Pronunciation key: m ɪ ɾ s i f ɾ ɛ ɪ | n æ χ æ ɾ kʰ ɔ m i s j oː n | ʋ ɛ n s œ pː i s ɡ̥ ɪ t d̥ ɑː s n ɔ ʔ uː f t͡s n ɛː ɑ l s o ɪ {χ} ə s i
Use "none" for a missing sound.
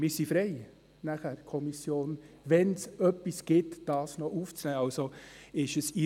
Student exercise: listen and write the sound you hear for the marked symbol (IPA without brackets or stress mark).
ʃ